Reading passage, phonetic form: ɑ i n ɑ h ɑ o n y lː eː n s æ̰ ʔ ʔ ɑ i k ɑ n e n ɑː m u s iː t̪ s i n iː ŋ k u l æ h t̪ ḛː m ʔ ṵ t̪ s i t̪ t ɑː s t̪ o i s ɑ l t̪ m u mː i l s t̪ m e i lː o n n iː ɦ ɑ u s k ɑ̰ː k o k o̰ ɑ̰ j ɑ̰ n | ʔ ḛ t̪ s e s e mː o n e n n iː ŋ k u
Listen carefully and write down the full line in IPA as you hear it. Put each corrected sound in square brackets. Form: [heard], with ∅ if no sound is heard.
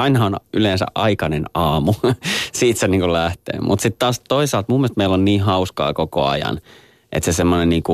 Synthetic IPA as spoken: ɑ i n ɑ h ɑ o n y [l] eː n s æ̰ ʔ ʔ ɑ i k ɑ n e n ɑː m u s iː t̪ s [e] n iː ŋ k u l æ h t̪ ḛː m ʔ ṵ t̪ s i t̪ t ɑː s t̪ o i s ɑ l t̪ m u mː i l s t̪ m e i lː o n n iː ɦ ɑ u s k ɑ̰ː k o k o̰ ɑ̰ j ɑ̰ n | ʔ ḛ t̪ s e s e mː o n e n n iː ŋ k u